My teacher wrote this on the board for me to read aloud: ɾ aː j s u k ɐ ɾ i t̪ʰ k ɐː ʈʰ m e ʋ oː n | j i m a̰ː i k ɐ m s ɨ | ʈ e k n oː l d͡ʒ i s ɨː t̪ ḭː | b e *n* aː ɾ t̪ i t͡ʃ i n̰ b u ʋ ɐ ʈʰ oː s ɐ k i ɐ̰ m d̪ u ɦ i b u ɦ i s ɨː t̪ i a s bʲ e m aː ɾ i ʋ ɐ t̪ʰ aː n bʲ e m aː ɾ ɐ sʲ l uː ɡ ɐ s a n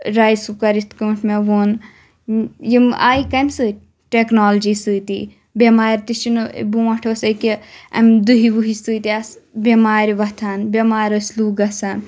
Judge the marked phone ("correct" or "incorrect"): incorrect